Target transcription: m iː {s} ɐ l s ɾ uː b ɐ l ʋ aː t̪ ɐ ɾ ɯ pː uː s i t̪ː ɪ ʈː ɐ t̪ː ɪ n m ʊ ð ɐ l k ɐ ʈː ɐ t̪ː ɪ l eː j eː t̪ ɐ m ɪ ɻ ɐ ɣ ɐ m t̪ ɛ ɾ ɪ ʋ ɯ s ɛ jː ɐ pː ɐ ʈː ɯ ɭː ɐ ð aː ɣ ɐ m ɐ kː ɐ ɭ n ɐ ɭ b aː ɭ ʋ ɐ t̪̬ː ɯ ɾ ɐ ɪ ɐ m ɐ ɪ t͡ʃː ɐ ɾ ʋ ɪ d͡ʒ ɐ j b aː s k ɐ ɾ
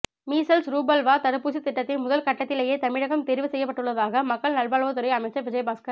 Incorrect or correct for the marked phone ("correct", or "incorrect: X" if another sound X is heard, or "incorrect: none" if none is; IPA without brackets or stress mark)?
correct